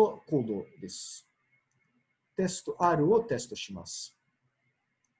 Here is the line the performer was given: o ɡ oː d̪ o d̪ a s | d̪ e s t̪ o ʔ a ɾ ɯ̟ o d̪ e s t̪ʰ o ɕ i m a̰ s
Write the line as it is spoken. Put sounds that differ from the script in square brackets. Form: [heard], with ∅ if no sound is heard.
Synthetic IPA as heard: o [k] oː d̪ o d̪ [e] s | [t̪] e s t̪ o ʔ a ɾ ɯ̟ o [t̪] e s [t̪] o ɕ i m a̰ s